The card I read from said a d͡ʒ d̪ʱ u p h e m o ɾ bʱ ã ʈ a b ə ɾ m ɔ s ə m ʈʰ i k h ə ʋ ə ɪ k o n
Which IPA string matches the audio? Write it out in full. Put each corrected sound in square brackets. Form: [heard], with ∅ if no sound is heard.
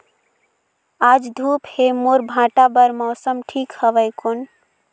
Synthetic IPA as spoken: a d͡ʒ d̪ʱ u p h e m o ɾ bʱ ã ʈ a b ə ɾ m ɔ s ə m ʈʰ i k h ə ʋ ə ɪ k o n